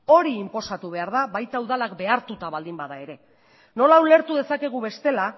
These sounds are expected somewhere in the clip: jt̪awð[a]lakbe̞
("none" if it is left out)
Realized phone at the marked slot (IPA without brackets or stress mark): a